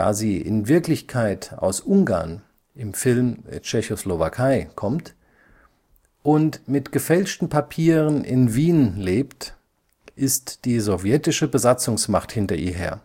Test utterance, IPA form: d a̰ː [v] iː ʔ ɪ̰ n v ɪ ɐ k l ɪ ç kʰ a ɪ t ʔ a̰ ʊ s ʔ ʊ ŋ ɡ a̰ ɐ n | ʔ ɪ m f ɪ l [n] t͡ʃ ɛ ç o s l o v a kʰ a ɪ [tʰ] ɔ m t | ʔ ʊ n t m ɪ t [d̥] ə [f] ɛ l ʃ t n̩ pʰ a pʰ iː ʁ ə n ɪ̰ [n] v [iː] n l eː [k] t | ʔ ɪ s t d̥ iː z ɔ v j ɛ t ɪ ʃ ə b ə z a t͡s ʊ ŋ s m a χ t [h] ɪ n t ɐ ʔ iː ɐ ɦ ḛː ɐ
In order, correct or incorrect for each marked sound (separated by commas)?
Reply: incorrect, incorrect, incorrect, incorrect, correct, correct, correct, incorrect, correct